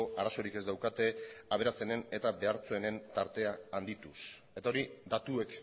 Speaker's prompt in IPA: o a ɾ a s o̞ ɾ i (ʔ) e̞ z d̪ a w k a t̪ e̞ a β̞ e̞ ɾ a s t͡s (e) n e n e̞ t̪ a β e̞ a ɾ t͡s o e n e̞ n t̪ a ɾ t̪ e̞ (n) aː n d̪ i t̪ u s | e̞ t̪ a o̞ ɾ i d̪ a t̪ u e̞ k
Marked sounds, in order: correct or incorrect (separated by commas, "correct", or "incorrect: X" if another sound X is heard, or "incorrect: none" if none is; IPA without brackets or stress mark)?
incorrect: k, correct, incorrect: none